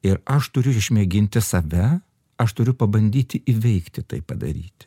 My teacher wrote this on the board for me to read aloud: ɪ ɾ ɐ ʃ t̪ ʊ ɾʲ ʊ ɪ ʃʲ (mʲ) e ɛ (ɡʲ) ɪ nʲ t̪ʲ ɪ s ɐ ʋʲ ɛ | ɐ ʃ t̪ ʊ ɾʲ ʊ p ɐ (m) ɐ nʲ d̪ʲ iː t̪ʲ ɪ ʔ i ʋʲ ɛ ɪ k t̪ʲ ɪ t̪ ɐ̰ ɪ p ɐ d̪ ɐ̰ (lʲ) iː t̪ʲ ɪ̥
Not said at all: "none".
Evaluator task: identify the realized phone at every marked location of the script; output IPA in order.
mʲ, ɡʲ, b, ɾʲ

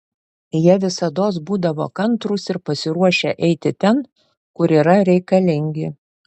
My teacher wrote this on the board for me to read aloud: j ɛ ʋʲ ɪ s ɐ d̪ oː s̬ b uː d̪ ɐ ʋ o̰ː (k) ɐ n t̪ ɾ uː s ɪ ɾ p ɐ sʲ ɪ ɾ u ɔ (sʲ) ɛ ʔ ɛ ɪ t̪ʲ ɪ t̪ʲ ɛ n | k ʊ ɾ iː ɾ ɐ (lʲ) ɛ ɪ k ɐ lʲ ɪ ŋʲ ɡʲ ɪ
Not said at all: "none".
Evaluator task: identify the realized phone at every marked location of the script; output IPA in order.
k, ʃʲ, ɾʲ

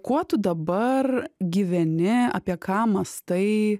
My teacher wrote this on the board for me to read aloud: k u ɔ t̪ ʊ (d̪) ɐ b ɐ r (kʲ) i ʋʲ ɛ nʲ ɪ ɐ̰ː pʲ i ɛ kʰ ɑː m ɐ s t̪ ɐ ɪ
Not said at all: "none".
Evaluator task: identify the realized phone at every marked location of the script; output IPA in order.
d̪, ɡʲ

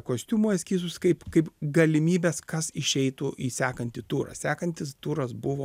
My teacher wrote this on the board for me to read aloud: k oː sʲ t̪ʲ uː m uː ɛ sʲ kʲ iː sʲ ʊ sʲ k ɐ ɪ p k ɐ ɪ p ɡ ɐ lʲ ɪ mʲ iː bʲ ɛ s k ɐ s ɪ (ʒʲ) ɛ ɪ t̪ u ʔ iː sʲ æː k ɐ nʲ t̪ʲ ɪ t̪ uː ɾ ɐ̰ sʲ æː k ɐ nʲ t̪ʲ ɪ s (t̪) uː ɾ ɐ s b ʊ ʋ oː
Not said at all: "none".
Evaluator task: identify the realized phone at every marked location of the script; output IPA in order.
ʃʲ, t̪

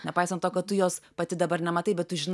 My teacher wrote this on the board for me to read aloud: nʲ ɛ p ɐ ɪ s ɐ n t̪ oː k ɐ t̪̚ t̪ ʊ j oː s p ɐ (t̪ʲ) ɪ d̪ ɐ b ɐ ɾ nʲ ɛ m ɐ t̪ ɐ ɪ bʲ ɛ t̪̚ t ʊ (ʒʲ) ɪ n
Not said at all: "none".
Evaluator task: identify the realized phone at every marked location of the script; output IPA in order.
t̪ʲ, ʒʲ

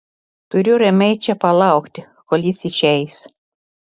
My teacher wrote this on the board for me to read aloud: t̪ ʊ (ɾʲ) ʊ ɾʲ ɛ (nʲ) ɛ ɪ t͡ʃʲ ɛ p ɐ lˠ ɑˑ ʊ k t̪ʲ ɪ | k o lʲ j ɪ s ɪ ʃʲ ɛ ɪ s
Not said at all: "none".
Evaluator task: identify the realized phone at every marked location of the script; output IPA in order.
ɾʲ, mʲ

